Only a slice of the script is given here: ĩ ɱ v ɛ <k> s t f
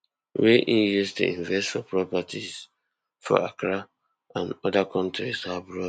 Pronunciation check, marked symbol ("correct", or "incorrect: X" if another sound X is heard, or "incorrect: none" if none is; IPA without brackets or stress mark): incorrect: none